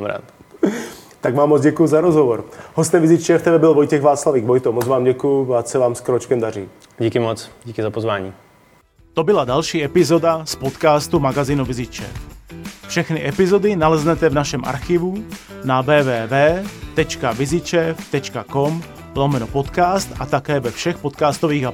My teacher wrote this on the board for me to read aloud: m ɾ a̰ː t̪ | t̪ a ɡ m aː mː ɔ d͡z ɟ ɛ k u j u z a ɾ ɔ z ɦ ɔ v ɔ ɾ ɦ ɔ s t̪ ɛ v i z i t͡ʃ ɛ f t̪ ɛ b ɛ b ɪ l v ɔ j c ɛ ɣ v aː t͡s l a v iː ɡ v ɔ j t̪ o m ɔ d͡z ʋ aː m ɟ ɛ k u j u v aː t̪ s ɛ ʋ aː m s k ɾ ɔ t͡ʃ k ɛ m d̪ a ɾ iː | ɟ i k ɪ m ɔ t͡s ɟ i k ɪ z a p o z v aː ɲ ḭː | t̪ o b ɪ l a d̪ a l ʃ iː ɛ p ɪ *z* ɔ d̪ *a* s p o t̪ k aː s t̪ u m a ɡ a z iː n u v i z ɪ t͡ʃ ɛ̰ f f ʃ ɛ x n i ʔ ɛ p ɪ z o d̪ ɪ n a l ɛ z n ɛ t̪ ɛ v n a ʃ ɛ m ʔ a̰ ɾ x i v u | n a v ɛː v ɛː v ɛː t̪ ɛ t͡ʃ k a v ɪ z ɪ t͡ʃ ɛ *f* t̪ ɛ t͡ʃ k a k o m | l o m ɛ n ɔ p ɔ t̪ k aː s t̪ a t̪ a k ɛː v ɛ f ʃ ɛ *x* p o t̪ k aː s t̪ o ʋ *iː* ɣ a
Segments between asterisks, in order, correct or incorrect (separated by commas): correct, correct, correct, correct, correct